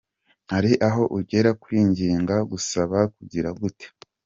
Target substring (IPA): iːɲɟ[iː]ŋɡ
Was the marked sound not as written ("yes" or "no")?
no